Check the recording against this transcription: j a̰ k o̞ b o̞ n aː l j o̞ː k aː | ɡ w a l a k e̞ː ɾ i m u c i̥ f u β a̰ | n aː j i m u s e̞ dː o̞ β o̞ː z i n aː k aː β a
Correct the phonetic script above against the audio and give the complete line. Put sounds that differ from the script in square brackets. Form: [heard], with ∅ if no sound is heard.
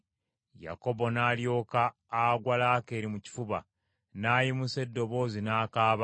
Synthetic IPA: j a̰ k o̞ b o̞ n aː l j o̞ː k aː | ɡ w a l a k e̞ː ɾ i m u c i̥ f u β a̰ | n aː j i m u s e̞ dː o̞ β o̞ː z i n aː k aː β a